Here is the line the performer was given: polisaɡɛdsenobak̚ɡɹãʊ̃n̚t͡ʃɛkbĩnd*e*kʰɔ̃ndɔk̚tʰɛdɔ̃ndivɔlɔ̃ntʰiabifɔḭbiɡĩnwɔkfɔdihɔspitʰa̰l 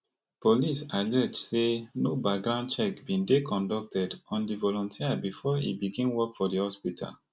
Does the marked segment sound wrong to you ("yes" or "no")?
no